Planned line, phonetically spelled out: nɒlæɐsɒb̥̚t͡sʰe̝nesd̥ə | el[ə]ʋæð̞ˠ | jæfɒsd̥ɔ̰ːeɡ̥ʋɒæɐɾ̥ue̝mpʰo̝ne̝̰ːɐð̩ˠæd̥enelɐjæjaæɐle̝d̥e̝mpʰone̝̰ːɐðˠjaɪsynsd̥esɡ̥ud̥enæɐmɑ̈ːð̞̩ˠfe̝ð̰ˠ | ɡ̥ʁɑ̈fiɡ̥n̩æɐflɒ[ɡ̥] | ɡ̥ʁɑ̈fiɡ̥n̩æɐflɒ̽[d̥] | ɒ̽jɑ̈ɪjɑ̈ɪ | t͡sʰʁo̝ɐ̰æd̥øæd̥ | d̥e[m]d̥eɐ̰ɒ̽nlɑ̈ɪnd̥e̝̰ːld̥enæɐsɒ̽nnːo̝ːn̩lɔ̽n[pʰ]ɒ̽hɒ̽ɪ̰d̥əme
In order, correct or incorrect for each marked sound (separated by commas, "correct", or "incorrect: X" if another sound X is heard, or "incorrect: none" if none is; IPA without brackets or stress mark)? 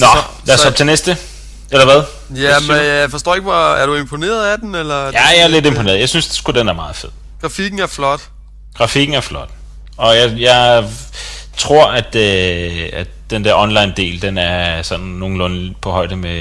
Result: incorrect: ɐ, incorrect: d̥, correct, incorrect: n, correct